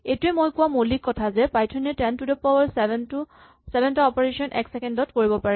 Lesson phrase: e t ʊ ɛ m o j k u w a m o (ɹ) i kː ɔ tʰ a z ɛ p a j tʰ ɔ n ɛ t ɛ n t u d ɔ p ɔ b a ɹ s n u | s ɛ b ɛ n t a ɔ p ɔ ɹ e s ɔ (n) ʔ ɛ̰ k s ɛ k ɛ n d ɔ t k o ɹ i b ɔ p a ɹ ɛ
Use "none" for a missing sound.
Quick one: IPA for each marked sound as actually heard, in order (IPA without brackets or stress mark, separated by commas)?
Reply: l, n